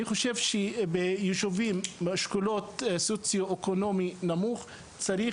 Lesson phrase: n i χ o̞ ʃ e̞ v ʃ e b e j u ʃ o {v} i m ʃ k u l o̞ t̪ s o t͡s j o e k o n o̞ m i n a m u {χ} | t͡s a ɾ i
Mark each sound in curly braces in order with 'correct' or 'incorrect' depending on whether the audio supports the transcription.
correct, correct

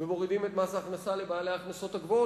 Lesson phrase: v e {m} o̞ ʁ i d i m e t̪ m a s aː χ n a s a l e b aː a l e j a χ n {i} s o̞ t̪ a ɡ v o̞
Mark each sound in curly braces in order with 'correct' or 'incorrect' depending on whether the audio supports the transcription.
correct, incorrect: a

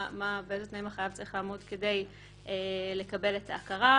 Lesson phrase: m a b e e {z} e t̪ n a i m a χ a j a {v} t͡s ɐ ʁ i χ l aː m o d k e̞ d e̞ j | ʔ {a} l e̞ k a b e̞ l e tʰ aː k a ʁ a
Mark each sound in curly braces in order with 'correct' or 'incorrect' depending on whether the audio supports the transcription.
correct, correct, incorrect: e

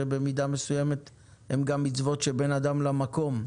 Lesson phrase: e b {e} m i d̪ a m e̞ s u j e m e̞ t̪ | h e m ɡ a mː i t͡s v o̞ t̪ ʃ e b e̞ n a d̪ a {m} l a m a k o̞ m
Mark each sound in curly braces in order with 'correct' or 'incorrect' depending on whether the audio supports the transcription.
correct, correct

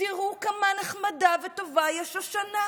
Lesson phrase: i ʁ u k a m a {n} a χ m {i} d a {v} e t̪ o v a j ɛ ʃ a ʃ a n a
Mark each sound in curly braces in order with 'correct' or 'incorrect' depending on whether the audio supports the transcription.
correct, incorrect: a, correct

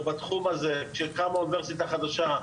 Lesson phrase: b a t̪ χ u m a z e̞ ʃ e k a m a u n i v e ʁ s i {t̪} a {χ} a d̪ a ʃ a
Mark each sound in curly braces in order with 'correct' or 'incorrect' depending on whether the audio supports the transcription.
correct, correct

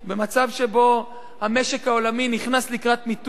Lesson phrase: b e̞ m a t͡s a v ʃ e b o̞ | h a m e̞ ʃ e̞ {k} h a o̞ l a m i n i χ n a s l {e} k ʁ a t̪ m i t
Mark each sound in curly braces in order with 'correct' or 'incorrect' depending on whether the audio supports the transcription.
correct, incorrect: i

